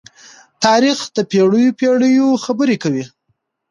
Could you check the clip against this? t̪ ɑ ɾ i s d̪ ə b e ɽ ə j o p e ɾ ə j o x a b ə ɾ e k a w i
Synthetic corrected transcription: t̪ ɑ ɾ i x d̪ ə p e ɽ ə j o p e ɽ ə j o x a b ə ɾ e k a w i

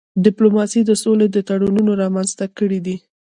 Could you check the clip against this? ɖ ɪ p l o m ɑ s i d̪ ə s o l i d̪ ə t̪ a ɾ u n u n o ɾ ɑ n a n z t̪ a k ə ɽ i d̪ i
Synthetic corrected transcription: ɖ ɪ p l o m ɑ s i d̪ ə s o l e d̪ ə t̪ a ɽ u n u n o ɾ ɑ m a n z t̪ a k ə ɽ i d̪ i

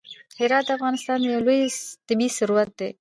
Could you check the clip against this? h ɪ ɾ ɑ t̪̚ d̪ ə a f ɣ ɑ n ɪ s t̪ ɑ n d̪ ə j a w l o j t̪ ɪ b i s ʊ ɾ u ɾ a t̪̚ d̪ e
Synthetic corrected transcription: h ɪ ɾ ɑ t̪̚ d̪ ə a f ɣ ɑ n ɪ s t̪ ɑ n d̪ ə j a w l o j t̪ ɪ b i s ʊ ɾ u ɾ a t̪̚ d̪ e

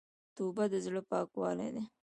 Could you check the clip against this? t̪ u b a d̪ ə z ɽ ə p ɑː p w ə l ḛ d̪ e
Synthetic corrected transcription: t̪ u b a d̪ ə z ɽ ə p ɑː k w ɑ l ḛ d̪ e

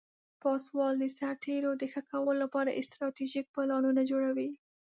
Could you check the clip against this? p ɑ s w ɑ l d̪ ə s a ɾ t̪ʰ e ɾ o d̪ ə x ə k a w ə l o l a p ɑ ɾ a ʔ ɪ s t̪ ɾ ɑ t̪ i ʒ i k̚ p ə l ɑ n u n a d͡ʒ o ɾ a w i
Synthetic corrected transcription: p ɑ s w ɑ l d̪ ə s a ɾ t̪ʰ e ɾ o d̪ ə x ə k a w ə l o l a p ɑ ɾ a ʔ ɪ s t̪ ɾ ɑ t̪ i ʒ i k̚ p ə l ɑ n u n a d͡ʒ o ɽ a w i

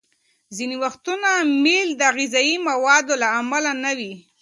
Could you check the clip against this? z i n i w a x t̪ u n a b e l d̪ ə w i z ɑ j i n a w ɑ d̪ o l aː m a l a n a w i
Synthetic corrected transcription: z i n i w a x t̪ u n a m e l d̪ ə ɣ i z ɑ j i m a w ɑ d̪ o l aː m a l a n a w i

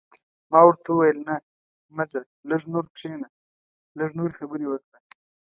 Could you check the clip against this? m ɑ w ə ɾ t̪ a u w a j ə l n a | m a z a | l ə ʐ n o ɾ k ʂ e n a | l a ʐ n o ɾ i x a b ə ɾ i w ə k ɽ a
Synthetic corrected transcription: m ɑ w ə ɾ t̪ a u w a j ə l n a | m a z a | l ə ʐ n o ɾ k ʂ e n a | l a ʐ n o ɾ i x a b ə ɾ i w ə k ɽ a

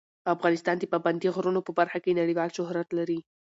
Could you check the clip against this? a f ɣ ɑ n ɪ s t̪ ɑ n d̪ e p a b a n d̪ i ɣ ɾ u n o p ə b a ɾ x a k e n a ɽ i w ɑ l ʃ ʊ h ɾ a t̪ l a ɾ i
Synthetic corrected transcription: a f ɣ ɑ n ɪ s t̪ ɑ n d̪ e p a b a n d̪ i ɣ ɾ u n o p ə b a ɾ x a k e n a ɽ i w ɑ l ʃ ʊ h ɾ a t̪ l a ɾ i

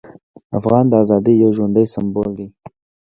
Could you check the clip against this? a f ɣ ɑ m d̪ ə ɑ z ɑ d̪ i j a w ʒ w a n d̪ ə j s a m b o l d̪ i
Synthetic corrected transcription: a f ɣ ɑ n d̪ ə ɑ z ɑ d̪ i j a w ʒ w a n d̪ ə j s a m b o l d̪ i

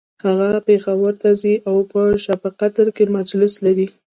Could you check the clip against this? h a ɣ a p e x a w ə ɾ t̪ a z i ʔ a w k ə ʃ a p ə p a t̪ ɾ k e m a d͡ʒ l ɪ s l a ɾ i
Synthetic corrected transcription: h a ɣ a p e x a w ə ɾ t̪ a z i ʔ a w p ə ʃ a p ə q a t̪ ɾ k e m a d͡ʒ l ɪ s l a ɾ i

